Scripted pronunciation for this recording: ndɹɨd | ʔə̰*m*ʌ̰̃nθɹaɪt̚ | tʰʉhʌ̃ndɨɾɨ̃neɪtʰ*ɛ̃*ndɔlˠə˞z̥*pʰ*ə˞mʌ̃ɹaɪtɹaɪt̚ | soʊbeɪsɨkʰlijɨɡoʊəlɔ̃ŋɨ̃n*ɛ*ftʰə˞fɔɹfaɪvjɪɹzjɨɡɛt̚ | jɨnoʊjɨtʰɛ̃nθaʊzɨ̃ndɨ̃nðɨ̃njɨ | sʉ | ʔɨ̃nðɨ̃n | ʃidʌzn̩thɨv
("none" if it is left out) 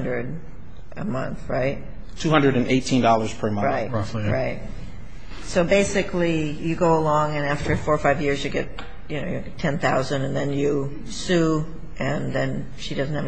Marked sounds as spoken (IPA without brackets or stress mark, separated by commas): m, ĩ, pʰ, æ